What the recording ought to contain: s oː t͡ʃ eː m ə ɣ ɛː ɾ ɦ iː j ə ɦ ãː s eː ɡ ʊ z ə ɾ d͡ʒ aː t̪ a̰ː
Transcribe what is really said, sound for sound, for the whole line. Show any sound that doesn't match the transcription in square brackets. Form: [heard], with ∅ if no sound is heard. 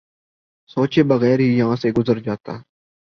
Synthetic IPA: s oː t͡ʃ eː [b] ə ɣ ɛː ɾ ɦ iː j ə ɦ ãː s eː ɡ ʊ z ə ɾ d͡ʒ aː t̪ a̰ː

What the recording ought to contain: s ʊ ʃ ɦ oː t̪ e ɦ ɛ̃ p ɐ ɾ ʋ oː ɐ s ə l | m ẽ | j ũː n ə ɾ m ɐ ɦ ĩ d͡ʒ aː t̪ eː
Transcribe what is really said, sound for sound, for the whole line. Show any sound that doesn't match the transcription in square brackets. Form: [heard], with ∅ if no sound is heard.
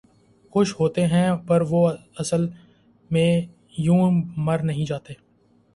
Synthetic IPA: [x] ʊ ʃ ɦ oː t̪ e ɦ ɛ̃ p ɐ ɾ ʋ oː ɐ s ə l | m ẽ | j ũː [m] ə ɾ [n] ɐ ɦ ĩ d͡ʒ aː t̪ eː

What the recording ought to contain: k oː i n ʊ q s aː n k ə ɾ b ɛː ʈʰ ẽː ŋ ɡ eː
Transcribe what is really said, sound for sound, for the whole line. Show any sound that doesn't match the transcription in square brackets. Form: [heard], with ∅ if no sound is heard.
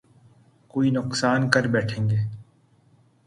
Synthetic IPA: k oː i n ʊ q s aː n k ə ɾ b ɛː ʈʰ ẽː ŋ ɡ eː

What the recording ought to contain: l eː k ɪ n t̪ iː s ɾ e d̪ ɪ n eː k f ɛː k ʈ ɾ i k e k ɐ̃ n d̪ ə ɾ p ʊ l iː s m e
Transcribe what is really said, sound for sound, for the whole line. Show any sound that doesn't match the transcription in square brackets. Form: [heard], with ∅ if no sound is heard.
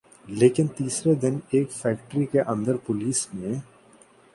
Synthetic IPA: l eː k ɪ n t̪ iː s ɾ e d̪ ɪ n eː k f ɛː k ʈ ɾ i k e [ʔ] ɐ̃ n d̪ ə ɾ p ʊ l iː s m [ẽ]

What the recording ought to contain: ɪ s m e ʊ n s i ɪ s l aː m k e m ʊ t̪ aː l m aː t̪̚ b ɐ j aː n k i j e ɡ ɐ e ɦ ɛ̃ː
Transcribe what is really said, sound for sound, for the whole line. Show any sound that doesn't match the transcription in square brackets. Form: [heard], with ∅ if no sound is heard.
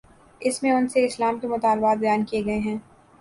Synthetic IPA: ɪ s m [ẽ] ʊ n s [e] ɪ s l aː m k e m ʊ t̪ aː l [b] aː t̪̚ b ɐ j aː n k i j e ɡ ɐ e ɦ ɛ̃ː

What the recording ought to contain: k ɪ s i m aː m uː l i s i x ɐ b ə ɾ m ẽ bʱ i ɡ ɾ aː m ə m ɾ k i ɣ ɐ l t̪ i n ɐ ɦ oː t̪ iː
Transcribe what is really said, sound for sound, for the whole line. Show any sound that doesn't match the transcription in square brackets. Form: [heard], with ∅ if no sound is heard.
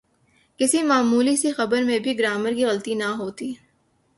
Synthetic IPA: k ɪ s i m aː m uː l i s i x ɐ b ə ɾ m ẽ bʱ i ɡ ɾ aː m ə [∅] ɾ k i ɣ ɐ l t̪ i n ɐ ɦ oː t̪ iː

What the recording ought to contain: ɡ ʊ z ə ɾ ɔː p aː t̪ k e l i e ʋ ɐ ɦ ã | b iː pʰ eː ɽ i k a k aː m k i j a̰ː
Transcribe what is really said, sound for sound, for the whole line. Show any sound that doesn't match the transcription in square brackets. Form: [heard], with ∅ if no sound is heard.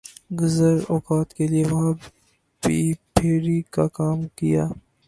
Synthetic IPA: ɡ ʊ z ə ɾ ɔː [k] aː t̪ k e l i e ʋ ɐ ɦ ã | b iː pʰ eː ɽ i k a k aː m k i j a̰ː

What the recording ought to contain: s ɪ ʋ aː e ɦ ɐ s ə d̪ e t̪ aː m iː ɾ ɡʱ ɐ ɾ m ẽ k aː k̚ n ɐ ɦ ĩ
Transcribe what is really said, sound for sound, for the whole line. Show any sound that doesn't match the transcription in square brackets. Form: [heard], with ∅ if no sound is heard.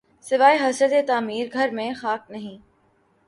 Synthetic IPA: s ɪ ʋ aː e ɦ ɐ s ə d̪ e t̪ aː m iː ɾ ɡʱ ɐ ɾ m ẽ [x] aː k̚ n ɐ ɦ ĩ

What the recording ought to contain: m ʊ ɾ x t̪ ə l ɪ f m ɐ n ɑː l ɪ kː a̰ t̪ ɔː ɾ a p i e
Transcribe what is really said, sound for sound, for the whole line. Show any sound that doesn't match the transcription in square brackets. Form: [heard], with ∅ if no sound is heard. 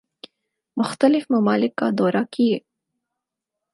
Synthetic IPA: m ʊ [∅] x t̪ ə l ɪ f m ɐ [m] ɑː l ɪ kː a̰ [d̪] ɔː ɾ a [k] i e

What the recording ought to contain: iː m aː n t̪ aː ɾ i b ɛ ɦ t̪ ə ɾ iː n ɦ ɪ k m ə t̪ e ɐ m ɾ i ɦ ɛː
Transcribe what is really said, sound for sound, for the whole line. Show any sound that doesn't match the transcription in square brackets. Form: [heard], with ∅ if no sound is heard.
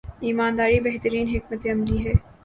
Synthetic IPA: iː m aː n [d̪] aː ɾ i b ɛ ɦ t̪ ə ɾ iː n ɦ ɪ k m ə t̪ e ɐ m [l] i ɦ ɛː

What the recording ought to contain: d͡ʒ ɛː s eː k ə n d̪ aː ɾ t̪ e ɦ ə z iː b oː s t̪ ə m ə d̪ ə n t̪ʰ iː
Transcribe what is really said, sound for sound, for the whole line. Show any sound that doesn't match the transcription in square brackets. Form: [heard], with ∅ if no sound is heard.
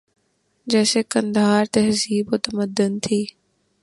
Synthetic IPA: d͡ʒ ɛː s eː k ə n d̪ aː ɾ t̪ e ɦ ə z iː b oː [∅] t̪ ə m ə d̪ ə n t̪ʰ iː

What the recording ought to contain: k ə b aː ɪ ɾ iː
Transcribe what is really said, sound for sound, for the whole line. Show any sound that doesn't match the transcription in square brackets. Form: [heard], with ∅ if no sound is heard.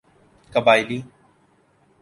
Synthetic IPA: k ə b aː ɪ [l] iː

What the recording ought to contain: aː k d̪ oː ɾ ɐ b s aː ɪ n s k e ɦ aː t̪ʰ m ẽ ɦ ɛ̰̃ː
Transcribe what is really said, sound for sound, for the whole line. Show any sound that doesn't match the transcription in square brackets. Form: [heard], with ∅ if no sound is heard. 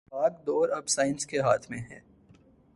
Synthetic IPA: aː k d̪ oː ɾ ɐ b s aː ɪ n s k e ɦ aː t̪ʰ m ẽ ɦ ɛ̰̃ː

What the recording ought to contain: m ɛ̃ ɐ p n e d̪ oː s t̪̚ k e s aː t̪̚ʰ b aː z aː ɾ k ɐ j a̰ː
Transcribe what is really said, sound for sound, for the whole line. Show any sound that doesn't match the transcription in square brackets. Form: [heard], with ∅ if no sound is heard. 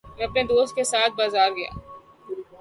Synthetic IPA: m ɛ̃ ɐ p n e d̪ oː s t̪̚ k e s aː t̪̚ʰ b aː z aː ɾ [ɡ] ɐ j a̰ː

